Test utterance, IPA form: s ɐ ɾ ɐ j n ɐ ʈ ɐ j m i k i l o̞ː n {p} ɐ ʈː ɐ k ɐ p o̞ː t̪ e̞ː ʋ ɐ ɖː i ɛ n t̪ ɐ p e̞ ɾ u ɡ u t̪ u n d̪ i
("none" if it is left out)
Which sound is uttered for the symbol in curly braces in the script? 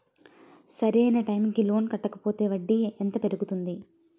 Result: k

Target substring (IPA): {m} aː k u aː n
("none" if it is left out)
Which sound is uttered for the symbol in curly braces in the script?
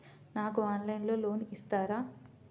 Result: n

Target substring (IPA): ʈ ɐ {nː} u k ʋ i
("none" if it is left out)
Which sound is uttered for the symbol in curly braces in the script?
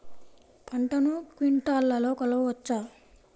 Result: n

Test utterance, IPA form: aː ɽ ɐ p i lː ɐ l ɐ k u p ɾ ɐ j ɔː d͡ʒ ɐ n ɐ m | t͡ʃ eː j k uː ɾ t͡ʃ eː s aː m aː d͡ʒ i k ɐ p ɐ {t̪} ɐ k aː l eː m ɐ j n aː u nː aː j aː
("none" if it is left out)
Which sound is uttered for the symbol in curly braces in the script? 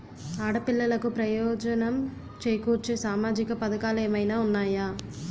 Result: d̪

